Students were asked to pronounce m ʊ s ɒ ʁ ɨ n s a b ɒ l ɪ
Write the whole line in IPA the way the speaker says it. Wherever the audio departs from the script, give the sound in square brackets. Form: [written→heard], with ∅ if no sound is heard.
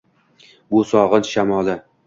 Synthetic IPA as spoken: [m→b] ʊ s ɒ ʁ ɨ n [s→ʃ] a [b→m] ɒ l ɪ